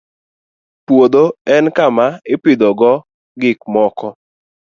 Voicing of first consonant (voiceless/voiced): voiceless